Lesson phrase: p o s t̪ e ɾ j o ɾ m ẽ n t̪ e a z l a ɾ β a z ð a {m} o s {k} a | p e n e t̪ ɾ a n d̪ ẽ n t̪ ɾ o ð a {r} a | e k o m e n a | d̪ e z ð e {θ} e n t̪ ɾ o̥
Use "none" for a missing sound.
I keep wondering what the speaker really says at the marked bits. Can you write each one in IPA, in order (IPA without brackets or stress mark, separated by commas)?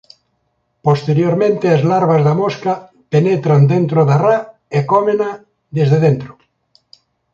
m, k, r, ð